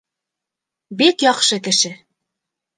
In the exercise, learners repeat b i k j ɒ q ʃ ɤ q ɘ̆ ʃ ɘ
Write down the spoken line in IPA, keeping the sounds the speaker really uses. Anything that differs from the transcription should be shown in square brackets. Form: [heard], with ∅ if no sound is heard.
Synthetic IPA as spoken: b i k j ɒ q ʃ ɤ [k] ɘ̆ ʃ ɘ